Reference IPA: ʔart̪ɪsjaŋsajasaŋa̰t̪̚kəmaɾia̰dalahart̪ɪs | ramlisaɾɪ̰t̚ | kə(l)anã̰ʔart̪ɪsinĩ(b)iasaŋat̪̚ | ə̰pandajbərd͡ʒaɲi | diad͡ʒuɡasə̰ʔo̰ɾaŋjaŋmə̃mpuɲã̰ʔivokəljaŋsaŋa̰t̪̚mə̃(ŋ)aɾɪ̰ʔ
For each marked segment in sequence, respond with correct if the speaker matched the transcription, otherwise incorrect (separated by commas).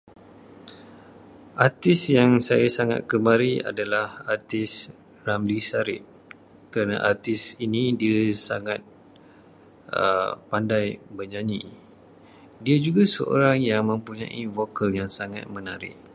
incorrect, incorrect, incorrect